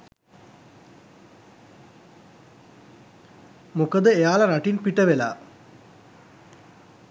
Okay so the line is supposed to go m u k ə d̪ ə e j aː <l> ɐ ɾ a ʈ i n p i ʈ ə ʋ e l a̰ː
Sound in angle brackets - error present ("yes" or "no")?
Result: no